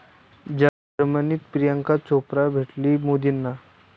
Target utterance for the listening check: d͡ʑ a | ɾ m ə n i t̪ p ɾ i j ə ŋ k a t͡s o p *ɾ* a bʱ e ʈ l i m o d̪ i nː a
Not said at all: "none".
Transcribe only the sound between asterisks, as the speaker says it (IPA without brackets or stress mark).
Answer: ɾ